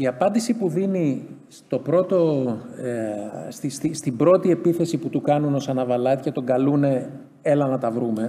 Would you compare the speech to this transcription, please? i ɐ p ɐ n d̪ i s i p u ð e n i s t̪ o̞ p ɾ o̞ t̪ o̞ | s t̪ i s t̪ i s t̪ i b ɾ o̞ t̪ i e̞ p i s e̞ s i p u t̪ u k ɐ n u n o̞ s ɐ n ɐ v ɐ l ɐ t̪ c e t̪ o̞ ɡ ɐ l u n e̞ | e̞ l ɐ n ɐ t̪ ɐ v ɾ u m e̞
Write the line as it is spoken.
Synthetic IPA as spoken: i ɐ p ɐ n d̪ i s i p u ð i n i s t̪ o̞ p ɾ o̞ t̪ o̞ | s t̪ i s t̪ i s t̪ i b ɾ o̞ t̪ i e̞ p i θ e̞ s i p u t̪ u k ɐ n u n o̞ s ɐ n ɐ v ɐ l ɐ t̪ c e t̪ o̞ ɡ ɐ l u n e̞ | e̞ l ɐ n ɐ t̪ ɐ v ɾ u m e̞